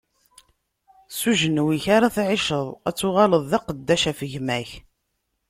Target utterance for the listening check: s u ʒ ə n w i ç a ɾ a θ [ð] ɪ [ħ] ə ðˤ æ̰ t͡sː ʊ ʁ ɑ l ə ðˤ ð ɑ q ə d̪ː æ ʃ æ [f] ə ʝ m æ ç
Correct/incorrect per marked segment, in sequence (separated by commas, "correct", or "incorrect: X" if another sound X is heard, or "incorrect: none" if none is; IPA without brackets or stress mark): incorrect: ʕ, incorrect: ʃ, correct